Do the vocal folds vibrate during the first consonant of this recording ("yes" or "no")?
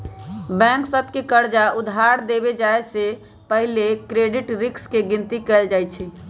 yes